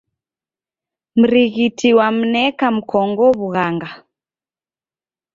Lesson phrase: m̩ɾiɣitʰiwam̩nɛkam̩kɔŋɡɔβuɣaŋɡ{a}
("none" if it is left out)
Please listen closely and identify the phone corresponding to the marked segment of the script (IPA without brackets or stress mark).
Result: a